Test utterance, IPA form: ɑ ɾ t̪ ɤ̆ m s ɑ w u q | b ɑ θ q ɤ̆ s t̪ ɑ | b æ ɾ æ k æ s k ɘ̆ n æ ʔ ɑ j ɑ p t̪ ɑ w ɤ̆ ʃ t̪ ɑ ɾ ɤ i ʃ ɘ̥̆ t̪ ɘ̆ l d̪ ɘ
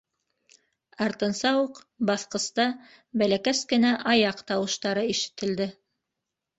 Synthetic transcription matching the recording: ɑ ɾ t̪ ɤ̆ n s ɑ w u q | b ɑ θ q ɤ̆ s t̪ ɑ | b æ l æ k æ s k ɘ̆ n æ ʔ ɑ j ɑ q t̪ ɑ w ɤ̆ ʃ t̪ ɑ ɾ ɤ i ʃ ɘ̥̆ t̪ ɘ̆ l d̪ ɘ